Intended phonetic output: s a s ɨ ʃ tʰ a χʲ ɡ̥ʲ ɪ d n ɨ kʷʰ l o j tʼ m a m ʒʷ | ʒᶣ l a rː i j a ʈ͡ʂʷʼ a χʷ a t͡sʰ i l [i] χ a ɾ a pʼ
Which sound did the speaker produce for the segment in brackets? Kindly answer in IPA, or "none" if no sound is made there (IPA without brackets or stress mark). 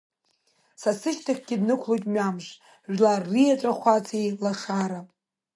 a